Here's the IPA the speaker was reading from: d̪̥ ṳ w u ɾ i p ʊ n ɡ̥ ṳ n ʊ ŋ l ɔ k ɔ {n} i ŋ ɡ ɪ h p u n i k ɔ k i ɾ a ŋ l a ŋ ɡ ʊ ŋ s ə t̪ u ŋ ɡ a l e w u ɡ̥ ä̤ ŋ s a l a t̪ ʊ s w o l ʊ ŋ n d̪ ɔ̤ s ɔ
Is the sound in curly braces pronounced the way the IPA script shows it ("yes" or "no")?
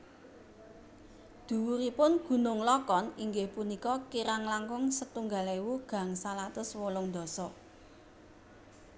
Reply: yes